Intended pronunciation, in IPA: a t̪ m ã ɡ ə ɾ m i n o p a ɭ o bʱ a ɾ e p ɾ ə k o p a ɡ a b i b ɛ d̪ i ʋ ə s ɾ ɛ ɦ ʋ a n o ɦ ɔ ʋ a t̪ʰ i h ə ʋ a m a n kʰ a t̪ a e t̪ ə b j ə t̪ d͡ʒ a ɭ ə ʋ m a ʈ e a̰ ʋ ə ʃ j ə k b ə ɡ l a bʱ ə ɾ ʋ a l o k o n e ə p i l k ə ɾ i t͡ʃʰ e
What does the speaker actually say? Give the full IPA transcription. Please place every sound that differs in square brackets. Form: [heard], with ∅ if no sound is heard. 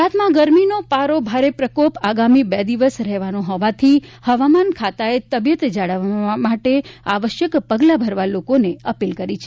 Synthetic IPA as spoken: a t̪ m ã ɡ ə ɾ m i n o p a [ɾ] o bʱ a ɾ e p ɾ ə k o p a ɡ a [m] i b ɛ d̪ i ʋ ə s ɾ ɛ ɦ ʋ a n o ɦ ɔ ʋ a t̪ʰ i h ə ʋ a m a n kʰ a t̪ a e t̪ ə b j ə t̪ d͡ʒ a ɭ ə ʋ m a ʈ e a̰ ʋ ə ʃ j ə k [p] ə ɡ l a bʱ ə ɾ ʋ a l o k o n e ə p i l k ə ɾ i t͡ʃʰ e